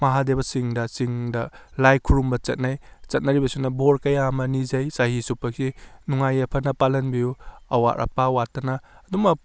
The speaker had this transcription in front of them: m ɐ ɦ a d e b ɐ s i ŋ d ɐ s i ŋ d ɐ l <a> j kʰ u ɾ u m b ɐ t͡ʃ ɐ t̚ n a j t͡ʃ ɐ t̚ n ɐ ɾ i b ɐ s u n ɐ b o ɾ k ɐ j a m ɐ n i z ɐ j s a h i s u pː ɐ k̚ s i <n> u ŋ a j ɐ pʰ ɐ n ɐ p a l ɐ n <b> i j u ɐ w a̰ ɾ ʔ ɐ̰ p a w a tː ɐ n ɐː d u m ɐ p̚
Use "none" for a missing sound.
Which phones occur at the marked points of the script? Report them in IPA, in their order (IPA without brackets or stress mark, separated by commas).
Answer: a, n, b